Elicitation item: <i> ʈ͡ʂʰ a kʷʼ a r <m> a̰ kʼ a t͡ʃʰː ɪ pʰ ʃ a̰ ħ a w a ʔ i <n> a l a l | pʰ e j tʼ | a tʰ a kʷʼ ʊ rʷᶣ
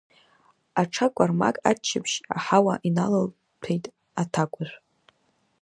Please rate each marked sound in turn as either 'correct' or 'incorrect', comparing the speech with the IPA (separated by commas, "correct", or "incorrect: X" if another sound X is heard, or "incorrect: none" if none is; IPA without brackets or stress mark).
incorrect: a, correct, correct